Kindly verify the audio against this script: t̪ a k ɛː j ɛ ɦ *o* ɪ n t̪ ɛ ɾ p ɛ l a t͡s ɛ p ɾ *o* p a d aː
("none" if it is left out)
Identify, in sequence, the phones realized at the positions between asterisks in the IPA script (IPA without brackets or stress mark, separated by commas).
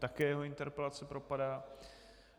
o, o